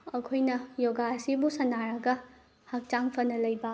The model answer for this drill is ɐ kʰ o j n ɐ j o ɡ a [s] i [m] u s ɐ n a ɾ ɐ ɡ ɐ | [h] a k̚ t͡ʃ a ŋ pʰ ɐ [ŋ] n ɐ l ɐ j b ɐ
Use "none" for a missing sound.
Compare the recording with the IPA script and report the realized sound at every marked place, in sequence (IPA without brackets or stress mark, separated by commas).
s, b, h, none